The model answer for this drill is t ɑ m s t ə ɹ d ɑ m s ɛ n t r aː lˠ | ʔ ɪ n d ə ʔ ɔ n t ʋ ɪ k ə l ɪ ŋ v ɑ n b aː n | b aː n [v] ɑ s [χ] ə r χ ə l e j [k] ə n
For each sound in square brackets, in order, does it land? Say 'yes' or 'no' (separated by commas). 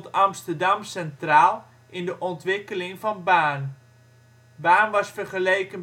no, no, yes